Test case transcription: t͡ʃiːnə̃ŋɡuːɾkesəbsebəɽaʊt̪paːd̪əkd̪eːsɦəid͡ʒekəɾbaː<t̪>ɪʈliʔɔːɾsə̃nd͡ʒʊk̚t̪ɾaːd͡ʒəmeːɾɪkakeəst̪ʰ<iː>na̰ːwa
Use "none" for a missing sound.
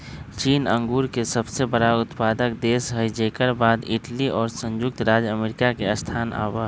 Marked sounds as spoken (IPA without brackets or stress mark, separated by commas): d̪, aː